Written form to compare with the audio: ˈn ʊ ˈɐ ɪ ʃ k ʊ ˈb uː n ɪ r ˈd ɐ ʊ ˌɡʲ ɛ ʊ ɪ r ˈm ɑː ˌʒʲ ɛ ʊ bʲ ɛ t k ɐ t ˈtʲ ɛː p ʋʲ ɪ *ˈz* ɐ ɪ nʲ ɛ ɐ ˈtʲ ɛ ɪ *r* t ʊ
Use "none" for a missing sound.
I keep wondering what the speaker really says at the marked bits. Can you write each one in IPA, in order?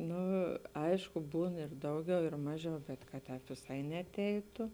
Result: s, none

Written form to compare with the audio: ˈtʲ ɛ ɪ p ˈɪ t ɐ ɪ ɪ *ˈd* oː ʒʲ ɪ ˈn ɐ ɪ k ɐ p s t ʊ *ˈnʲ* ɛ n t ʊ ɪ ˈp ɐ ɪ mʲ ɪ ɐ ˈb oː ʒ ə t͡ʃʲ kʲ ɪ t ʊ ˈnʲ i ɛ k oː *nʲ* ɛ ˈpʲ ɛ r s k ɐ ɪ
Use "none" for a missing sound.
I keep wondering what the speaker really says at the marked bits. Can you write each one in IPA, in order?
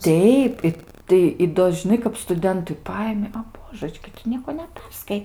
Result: d, dʲ, nʲ

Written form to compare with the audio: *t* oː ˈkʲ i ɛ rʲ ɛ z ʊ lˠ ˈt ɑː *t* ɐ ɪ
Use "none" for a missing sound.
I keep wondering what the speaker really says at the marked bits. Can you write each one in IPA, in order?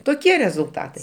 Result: t, t

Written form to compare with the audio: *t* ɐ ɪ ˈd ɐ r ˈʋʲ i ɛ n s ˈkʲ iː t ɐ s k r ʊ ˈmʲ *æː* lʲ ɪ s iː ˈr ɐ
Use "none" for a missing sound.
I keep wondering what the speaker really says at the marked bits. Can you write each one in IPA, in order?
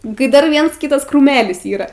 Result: k, æː

